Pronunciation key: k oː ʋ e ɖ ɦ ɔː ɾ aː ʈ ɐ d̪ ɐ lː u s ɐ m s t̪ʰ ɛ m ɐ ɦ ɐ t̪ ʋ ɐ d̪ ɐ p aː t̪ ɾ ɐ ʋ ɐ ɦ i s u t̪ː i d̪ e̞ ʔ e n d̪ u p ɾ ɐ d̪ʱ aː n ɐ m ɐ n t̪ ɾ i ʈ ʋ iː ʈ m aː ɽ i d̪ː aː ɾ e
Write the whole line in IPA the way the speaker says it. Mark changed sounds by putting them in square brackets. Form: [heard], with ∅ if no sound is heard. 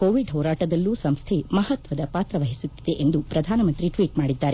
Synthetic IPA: k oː ʋ [i] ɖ ɦ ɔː ɾ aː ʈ ɐ d̪ ɐ lː u s ɐ m s t̪ʰ [e] m ɐ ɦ ɐ t̪ ʋ ɐ d̪ ɐ p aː t̪ ɾ ɐ ʋ ɐ ɦ i s u t̪ː i d̪ e̞ ʔ e n d̪ u p ɾ ɐ d̪ʱ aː n ɐ m ɐ n t̪ ɾ i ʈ ʋ iː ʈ m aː ɽ i d̪ː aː ɾ e